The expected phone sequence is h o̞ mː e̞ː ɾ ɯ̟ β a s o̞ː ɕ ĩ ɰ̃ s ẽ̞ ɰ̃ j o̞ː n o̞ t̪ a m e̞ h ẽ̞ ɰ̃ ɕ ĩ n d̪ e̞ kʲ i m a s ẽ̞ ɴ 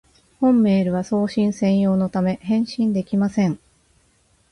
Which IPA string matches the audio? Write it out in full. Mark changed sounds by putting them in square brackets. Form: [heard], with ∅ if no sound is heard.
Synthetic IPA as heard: h [õ̞] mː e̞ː ɾ ɯ̟ β a s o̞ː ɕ ĩ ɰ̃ s ẽ̞ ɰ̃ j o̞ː n o̞ t̪ a m e̞ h ẽ̞ ɰ̃ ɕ ĩ n d̪ e̞ kʲ i m a s ẽ̞ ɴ